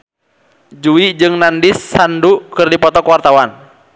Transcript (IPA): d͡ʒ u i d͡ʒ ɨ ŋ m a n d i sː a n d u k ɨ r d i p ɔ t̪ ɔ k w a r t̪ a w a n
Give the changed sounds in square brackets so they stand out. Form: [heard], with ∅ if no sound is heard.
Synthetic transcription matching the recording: d͡ʒ u i d͡ʒ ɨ ŋ [n] a n d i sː a n d u k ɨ r d i p ɔ t̪ ɔ k w a r t̪ a w a n